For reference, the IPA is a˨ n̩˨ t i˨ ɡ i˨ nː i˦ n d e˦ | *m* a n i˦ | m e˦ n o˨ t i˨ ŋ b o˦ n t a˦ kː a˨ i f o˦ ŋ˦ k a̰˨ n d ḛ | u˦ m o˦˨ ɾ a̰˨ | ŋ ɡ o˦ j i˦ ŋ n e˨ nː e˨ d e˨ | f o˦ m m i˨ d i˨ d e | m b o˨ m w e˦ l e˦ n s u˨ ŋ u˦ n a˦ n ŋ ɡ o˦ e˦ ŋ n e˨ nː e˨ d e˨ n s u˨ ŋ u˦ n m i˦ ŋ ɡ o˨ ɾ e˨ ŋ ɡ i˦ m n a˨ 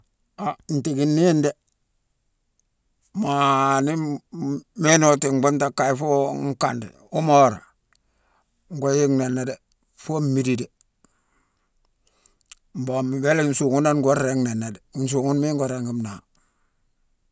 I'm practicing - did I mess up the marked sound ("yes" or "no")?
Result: no